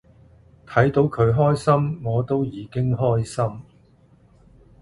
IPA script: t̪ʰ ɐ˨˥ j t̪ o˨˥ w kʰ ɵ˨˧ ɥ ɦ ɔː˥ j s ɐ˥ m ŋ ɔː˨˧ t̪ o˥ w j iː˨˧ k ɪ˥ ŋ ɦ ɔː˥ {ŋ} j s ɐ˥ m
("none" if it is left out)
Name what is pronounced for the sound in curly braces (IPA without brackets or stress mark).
none